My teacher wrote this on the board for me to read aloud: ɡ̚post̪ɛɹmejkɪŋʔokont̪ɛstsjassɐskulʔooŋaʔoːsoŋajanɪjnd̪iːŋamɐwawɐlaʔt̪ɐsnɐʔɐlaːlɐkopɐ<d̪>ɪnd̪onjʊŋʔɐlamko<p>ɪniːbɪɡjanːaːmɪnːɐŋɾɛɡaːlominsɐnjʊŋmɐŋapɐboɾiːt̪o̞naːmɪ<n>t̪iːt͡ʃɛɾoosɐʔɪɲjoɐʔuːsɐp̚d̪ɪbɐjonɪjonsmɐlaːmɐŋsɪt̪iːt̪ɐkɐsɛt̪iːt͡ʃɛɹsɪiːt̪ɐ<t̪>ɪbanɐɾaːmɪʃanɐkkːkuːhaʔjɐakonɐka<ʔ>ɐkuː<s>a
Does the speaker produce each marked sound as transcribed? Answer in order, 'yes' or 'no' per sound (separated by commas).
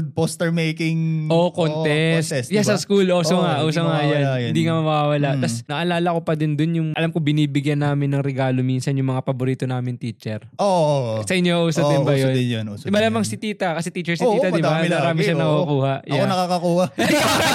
yes, no, yes, no, no, no